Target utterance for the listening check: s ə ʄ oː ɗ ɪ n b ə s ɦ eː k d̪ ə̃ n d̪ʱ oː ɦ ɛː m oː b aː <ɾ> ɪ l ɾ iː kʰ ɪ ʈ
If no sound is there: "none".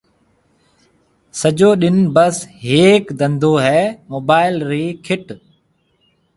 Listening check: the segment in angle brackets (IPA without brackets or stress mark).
none